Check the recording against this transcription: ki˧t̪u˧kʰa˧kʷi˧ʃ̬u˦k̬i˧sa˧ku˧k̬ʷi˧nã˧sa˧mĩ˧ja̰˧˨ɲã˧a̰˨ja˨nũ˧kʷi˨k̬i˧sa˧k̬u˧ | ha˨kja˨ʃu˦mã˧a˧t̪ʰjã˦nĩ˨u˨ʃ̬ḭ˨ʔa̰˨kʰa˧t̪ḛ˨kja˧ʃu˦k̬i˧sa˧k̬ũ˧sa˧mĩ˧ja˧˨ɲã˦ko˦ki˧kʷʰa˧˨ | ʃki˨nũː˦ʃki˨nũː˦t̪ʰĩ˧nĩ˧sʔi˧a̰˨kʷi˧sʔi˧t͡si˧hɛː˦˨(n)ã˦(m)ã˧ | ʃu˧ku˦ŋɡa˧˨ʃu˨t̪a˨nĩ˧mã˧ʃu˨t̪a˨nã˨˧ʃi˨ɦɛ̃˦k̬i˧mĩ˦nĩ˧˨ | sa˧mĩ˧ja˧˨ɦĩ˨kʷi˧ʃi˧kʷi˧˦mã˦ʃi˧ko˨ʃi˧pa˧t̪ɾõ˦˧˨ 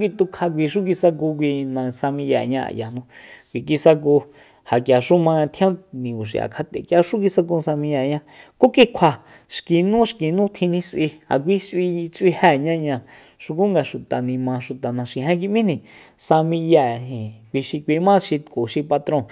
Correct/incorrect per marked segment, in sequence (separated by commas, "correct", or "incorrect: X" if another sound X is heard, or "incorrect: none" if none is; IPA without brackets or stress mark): incorrect: ɲ, incorrect: ɲ